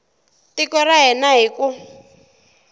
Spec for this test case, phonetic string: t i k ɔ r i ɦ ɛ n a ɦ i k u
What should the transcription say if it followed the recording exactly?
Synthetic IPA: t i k ɔ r a ɦ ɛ n a ɦ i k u